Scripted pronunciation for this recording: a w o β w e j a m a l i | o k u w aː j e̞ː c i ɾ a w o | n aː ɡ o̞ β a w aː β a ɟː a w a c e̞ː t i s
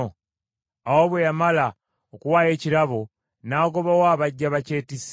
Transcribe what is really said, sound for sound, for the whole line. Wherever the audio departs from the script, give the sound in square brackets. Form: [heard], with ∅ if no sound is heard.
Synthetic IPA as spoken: a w o β w e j a m a l [a] | o k u w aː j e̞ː c i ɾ a [β] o | n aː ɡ o̞ β a w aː β a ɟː a [β] a c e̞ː t i s